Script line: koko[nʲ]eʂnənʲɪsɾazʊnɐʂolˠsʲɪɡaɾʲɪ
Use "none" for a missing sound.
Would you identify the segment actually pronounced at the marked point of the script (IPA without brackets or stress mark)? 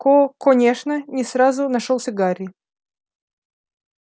nʲ